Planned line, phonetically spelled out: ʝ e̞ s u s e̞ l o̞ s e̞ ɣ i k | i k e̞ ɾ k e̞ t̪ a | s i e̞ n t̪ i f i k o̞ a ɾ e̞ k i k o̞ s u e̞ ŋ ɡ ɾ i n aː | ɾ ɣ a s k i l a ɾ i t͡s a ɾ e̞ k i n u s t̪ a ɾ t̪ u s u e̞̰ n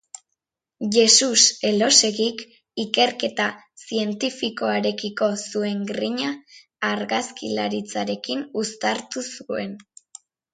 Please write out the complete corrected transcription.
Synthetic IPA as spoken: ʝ e̞ s u s e̞ l o̞ s e̞ ɣ i k | i k e̞ ɾ k e̞ t̪ a | s i e̞ n t̪ i f i k o̞ a ɾ e̞ k i k o̞ s u e̞ ŋ ɡ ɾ i ɲ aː | ɾ ɣ a s k i l a ɾ i t͡s a ɾ e̞ k i n u s t̪ a ɾ t̪ u s u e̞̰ n

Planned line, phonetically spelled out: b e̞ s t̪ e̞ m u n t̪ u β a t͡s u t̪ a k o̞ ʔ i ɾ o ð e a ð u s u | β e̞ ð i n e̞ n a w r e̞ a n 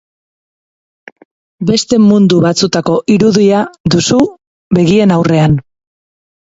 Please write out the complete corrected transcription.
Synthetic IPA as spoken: b e̞ s t̪ e̞ m u n d̪ u β a t͡s u t̪ a k o̞ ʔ i ɾ u ð i a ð u s u | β e̞ ɣ i e̞ n a w r e̞ a n

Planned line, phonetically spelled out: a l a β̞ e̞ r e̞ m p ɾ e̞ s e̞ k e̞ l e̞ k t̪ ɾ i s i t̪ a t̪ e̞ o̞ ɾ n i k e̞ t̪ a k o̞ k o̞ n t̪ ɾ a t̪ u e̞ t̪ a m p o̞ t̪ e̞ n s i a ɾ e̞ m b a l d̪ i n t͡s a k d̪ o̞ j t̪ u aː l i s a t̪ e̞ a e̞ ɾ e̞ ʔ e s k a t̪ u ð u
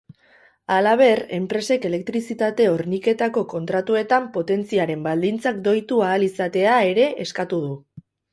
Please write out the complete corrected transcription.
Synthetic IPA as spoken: a l a β̞ e̞ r e̞ m p ɾ e̞ s e̞ k e̞ l e̞ k t̪ ɾ i s i t̪ a t̪ e̞ o̞ ɾ n i k e̞ t̪ a k o̞ k o̞ n t̪ ɾ a t̪ u e̞ t̪ a m p o̞ t̪ e̞ n t͡s i a ɾ e̞ m b a l d̪ i n t͡s a k d̪ o̞ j t̪ u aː l i s a t̪ e̞ a e̞ ɾ e̞ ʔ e s k a t̪ u ð u

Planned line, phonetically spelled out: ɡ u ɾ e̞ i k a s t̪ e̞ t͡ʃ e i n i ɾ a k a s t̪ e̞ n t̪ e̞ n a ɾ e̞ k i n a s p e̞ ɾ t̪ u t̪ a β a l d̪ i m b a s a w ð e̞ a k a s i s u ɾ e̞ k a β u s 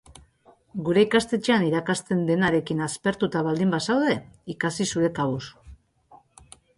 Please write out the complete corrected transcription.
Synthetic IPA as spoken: ɡ u ɾ e̞ i k a s t̪ e̞ t͡ʃ e a n i ɾ a k a s t̪ e̞ n d̪ e̞ n a ɾ e̞ k i n a s p e̞ ɾ t̪ u t̪ a β a l d̪ i m b a s a w ð e̞ i k a s i s u ɾ e̞ k a β u s

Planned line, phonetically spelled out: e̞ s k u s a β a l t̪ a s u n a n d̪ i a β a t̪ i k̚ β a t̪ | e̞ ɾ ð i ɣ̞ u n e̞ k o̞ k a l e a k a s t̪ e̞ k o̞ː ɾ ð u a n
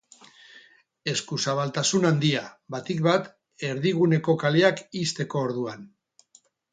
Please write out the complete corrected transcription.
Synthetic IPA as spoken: e̞ s k u s a β a l t̪ a s u n a n d̪ i a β a t̪ i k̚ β a t̪ | e̞ ɾ ð i ɣ̞ u n e̞ k o̞ k a l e a k i s t̪ e̞ k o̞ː ɾ ð u a n

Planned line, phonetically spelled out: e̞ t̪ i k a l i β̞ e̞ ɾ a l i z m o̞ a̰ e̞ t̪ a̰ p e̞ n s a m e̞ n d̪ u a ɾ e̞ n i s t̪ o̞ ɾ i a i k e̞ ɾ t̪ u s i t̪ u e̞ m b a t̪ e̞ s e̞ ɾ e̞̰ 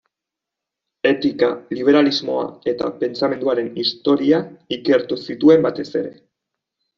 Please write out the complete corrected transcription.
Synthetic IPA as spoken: e̞ t̪ i k a l i β̞ e̞ ɾ a l i z m o̞ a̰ e̞ t̪ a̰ p e̞ n t͡s a m e̞ n d̪ u a ɾ e̞ n i s t̪ o̞ ɾ i a i k e̞ ɾ t̪ u s i t̪ u e̞ m b a t̪ e̞ s e̞ ɾ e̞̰

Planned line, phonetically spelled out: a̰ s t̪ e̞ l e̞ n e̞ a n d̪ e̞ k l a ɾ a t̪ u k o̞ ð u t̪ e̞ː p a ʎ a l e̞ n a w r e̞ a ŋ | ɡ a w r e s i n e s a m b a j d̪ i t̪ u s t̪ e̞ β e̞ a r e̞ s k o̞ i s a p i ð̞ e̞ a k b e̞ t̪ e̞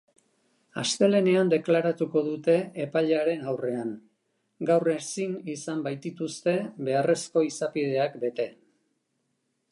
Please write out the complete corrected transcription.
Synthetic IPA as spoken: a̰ s t̪ e̞ l e̞ n e̞ a n d̪ e̞ k l a ɾ a t̪ u k o̞ ð u t̪ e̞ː p a ʎ a ɾ e̞ n a w r e̞ a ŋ | ɡ a w r e s i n i s a m b a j t̪ i t̪ u s t̪ e̞ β e̞ a r e̞ s k o̞ i s a p i ð̞ e̞ a k b e̞ t̪ e̞

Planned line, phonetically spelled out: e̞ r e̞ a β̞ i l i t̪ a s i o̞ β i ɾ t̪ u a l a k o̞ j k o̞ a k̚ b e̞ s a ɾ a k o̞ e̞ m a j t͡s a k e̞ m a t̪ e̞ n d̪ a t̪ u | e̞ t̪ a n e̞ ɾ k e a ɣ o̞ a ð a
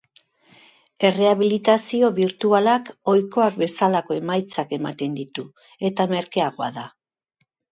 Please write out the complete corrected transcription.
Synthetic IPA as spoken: e̞ r e̞ a β̞ i l i t̪ a s i o̞ β i ɾ t̪ u a l a k o̞ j k o̞ a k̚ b e̞ s a l a k o̞ e̞ m a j t͡s a k e̞ m a t̪ e̞ n d̪ i t̪ u | e̞ t̪ a m e̞ ɾ k e a ɣ o̞ a ð a

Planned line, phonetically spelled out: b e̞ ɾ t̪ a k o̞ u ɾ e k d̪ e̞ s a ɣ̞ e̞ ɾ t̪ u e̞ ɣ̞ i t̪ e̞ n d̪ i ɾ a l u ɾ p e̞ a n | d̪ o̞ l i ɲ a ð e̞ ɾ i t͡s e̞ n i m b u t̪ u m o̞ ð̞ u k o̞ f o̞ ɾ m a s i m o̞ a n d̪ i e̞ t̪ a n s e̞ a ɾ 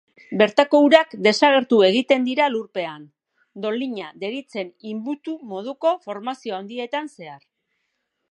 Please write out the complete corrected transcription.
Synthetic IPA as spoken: b e̞ ɾ t̪ a k o̞ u ɾ a k d̪ e̞ s a ɣ̞ e̞ ɾ t̪ u e̞ ɣ̞ i t̪ e̞ n d̪ i ɾ a l u ɾ p e̞ a n | d̪ o̞ l i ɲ a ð e̞ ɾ i t͡s e̞ n i m b u t̪ u m o̞ ð̞ u k o̞ f o̞ ɾ m a s i o̞ a n d̪ i e̞ t̪ a n s e̞ a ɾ

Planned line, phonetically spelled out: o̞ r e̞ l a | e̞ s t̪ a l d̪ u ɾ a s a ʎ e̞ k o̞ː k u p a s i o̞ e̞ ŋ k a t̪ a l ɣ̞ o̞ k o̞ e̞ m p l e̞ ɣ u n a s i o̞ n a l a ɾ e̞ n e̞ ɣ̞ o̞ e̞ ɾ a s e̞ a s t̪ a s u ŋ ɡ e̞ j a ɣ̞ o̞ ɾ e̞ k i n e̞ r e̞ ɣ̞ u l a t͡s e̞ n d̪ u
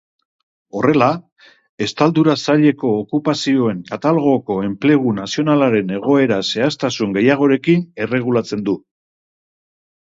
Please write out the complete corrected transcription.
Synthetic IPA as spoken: o̞ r e̞ l a | e̞ s t̪ a l d̪ u ɾ a s a ʎ e̞ k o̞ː k u p a s i o̞ e̞ ŋ k a t̪ a l ɣ̞ o̞ k o̞ e̞ m p l e̞ ɣ u n a s i o̞ n a l a ɾ e̞ n e̞ ɣ̞ o̞ e̞ ɾ a s e̞ a s t̪ a s u ŋ ɡ e̞ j a ɣ̞ o̞ ɾ e̞ k i n e̞ r e̞ ɣ̞ u l a t͡s e̞ n d̪ u

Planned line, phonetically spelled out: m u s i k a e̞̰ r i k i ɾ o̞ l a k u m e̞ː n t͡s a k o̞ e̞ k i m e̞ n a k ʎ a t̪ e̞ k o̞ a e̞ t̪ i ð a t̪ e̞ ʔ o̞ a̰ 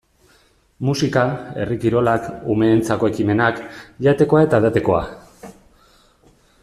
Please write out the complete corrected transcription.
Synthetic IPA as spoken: m u s i k a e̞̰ r i k i ɾ o̞ l a k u m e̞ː n t͡s a k o̞ e̞ k i m e̞ n a k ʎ a t̪ e̞ k o̞ a e̞ t̪ a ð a t̪ e̞ k o̞ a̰

